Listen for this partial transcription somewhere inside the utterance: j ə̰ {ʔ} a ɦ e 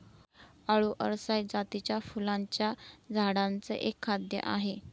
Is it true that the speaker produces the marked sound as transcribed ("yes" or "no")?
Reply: yes